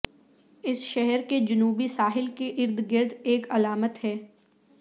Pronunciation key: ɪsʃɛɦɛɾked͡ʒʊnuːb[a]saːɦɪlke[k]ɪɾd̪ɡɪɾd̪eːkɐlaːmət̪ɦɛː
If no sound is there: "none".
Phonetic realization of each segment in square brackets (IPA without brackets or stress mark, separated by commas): i, ʔ